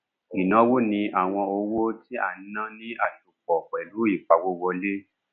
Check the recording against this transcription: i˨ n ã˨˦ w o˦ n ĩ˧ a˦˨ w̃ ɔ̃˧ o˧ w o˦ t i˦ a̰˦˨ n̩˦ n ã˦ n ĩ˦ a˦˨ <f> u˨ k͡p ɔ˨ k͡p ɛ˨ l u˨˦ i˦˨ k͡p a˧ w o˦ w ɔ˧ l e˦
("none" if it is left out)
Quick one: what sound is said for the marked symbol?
ʃ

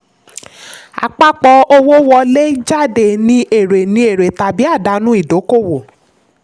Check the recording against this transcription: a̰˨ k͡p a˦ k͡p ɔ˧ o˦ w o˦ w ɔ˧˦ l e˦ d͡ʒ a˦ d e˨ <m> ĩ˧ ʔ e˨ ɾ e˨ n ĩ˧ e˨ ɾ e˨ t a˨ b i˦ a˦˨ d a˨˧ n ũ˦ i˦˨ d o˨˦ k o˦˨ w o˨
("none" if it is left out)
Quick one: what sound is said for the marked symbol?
n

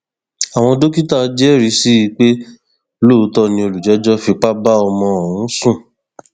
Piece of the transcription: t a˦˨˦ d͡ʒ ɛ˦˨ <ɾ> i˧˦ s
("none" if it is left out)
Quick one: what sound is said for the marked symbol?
ɾ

